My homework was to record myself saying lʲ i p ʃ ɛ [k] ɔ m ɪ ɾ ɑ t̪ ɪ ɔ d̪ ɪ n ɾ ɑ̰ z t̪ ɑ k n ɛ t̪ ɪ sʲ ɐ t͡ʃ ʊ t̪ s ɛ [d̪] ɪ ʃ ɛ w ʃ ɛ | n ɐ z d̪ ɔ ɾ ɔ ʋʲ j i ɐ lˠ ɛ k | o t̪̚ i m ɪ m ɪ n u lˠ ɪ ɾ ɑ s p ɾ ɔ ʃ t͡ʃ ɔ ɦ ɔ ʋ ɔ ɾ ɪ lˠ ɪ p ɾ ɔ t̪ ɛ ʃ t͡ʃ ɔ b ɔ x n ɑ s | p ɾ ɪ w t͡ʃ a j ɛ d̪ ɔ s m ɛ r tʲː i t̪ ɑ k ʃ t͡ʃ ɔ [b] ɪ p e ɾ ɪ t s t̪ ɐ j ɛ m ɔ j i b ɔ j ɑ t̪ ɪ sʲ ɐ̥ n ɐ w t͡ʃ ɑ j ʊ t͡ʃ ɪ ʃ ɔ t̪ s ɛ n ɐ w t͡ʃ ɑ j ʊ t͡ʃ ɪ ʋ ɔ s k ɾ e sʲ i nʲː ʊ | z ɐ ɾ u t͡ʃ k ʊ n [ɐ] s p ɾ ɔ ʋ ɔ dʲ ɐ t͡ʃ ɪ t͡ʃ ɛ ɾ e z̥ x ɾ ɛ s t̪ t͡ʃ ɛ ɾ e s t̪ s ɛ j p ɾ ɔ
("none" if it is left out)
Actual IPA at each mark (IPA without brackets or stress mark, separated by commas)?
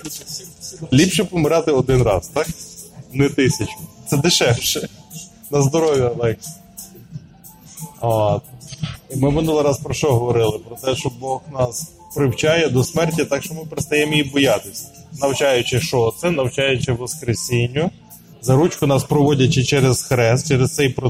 p, d̪, m, ɑ